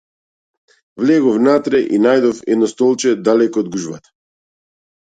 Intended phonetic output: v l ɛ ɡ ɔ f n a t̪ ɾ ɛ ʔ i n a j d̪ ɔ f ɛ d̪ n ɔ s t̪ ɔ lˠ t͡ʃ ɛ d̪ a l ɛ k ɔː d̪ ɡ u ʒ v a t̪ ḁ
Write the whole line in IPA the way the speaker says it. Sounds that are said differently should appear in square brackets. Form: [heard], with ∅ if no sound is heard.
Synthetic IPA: v l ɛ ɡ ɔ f n a t̪ ɾ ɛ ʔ i n a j d̪ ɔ f ɛ d̪ n ɔ s t̪ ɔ lˠ t͡ʃ ɛ d̪ a l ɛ k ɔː d̪ ɡ u ʒ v a t̪ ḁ